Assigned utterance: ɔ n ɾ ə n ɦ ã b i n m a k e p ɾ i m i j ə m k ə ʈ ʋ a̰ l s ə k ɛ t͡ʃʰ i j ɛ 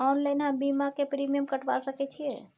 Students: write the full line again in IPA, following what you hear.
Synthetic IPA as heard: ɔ n l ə n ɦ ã b i m a k e p ɾ i m i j ə m k ə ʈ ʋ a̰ l s ə k ɛ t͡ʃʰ i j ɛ